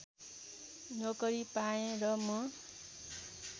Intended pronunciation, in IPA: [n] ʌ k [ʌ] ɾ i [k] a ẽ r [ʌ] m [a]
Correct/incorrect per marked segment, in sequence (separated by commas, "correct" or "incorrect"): correct, correct, incorrect, correct, incorrect